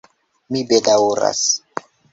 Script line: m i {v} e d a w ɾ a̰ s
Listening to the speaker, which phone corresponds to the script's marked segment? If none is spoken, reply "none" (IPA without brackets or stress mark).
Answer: b